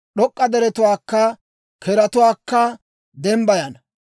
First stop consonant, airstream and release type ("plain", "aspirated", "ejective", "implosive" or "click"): implosive